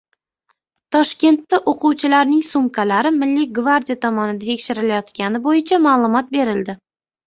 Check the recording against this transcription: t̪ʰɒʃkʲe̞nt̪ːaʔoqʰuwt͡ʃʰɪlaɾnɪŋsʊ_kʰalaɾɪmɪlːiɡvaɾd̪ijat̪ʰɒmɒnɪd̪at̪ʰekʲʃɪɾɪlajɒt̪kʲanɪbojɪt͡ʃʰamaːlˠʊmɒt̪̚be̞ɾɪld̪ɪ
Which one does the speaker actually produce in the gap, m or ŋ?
m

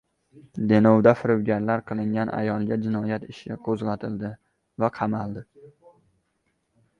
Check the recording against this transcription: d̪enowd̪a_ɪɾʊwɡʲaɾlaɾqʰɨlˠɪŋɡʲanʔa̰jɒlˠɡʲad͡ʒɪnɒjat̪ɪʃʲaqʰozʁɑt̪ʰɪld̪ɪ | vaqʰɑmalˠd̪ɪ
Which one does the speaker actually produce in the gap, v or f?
f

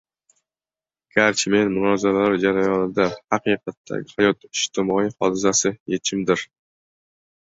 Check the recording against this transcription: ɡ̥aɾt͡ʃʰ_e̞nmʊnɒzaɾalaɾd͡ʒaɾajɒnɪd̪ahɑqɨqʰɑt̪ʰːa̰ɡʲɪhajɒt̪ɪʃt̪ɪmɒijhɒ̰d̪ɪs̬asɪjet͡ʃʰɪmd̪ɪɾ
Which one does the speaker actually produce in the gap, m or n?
m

